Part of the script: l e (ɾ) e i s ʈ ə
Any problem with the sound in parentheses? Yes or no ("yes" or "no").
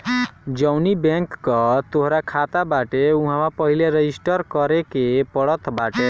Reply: no